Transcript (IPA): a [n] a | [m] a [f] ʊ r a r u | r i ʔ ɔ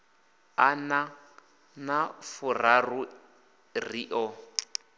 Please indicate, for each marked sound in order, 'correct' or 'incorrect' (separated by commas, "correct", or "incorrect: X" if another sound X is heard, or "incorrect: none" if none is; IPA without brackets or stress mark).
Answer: correct, incorrect: n, correct